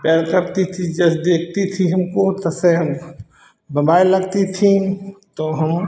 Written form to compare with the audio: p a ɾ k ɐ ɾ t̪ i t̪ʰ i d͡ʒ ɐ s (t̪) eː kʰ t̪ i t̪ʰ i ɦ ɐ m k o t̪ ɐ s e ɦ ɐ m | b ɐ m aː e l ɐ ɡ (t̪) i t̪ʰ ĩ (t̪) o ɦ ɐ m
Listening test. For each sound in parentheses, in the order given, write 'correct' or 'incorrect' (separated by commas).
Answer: incorrect, correct, correct